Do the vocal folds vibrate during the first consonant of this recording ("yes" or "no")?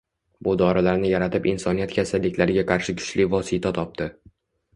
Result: yes